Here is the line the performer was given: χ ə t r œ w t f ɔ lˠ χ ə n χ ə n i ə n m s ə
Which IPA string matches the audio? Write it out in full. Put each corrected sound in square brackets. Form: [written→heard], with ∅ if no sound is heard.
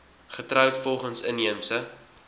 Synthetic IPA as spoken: χ ə t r œ w t f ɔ lˠ χ ə n [χ→s] ə n i ə [n→∅] m s ə